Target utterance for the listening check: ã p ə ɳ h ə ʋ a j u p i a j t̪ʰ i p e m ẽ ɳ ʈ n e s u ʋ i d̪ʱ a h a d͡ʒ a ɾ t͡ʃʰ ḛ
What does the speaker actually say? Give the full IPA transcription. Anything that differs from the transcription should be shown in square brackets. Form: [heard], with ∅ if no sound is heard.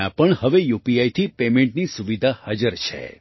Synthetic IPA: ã p ə ɳ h ə ʋ [e] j u p i a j t̪ʰ i p e m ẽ ɳ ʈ n [i] s u ʋ i d̪ʱ a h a d͡ʒ [ə] ɾ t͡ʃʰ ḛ